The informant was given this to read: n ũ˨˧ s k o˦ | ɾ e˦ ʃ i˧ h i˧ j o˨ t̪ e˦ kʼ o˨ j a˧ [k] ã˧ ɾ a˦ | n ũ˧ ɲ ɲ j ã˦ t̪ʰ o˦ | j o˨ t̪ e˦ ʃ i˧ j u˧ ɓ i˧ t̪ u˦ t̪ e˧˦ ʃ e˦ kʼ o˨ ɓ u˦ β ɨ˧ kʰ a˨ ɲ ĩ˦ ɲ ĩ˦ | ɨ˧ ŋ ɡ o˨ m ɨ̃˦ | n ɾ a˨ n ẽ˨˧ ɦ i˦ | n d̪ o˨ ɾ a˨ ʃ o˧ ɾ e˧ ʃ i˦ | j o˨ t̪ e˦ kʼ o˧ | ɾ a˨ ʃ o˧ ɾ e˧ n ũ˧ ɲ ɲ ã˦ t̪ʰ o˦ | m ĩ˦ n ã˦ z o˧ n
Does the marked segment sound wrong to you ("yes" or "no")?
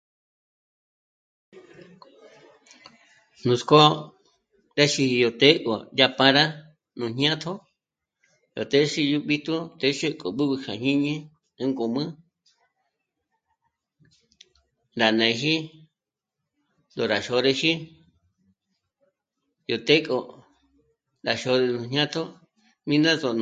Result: yes